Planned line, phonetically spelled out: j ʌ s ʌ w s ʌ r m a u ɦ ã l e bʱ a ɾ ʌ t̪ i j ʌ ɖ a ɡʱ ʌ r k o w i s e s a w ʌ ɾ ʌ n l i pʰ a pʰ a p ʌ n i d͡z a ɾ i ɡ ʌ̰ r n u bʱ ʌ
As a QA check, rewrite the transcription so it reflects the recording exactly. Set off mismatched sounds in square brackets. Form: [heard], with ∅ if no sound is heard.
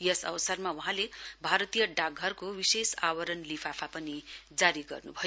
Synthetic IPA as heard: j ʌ s ʌ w s ʌ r m a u ɦ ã l e bʱ a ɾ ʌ t̪ i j ʌ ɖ a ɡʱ ʌ r k o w i s e s a w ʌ ɾ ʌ n l i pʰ a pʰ a p ʌ n i d͡z a ɾ i ɡ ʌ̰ r n u bʱ ʌ

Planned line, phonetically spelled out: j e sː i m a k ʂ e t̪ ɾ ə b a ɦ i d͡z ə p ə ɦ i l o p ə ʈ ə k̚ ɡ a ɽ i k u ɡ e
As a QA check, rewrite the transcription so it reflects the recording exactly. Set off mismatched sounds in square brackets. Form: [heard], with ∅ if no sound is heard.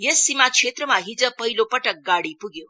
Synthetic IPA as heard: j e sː i m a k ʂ e t̪ ɾ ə [m] a ɦ i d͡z ə p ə ɦ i l o p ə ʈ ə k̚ ɡ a ɽ i [p] u ɡ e

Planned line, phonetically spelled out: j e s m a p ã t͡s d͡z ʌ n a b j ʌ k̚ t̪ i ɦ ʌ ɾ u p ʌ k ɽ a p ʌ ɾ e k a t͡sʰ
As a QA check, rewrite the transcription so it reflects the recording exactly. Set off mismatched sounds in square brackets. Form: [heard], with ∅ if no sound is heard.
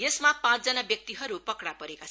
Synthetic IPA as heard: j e s m a p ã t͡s d͡z ʌ n a b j ʌ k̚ t̪ i ɦ ʌ ɾ u p ʌ k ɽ a p ʌ ɾ e k a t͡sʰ

